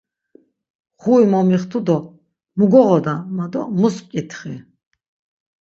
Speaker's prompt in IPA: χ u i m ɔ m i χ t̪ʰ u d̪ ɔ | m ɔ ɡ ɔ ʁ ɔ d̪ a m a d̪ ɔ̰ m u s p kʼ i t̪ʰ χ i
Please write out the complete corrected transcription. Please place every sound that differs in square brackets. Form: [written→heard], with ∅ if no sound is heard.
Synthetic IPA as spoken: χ u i m ɔ m i χ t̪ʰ u d̪ ɔ | m [ɔ→u] ɡ ɔ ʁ ɔ d̪ a m a d̪ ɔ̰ m u s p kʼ i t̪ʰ χ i